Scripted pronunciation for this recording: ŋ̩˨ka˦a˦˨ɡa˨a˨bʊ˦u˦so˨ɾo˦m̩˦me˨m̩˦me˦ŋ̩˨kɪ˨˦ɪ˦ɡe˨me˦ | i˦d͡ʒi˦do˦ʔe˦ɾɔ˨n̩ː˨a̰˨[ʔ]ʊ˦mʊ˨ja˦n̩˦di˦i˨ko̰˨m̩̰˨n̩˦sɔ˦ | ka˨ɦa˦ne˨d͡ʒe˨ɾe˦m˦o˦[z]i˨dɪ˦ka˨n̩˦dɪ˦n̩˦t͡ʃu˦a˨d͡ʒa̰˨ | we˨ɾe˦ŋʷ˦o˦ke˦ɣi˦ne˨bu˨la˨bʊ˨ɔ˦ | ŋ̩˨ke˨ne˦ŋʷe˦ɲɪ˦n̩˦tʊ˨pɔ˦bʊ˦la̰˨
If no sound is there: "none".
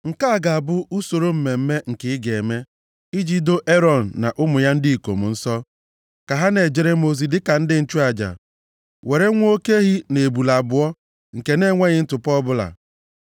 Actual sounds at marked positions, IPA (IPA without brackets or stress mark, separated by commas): ʔ, z